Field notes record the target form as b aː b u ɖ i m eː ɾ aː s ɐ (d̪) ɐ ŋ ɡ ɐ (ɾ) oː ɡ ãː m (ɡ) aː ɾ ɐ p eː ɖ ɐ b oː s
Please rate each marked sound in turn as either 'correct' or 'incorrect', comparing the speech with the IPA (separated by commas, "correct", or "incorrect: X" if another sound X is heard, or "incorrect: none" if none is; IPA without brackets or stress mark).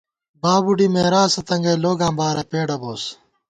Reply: incorrect: t̪, incorrect: l, incorrect: b